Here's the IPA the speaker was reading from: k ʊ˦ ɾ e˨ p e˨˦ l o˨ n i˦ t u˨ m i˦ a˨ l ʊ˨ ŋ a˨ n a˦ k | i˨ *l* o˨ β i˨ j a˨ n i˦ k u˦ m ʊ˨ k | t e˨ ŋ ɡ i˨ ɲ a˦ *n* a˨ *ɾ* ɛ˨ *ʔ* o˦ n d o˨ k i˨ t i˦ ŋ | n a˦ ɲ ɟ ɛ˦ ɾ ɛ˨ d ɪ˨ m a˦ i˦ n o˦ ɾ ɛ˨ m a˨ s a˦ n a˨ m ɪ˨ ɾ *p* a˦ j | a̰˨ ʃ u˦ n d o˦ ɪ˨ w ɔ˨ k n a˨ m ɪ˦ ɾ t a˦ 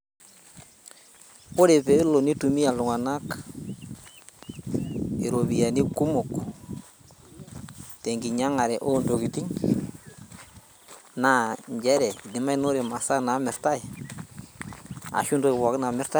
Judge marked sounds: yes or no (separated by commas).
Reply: no, no, yes, yes, no